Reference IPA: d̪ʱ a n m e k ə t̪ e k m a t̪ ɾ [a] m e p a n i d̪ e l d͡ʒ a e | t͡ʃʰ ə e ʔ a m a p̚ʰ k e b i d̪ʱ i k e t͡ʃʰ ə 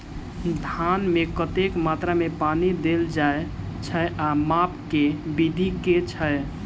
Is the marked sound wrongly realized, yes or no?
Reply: no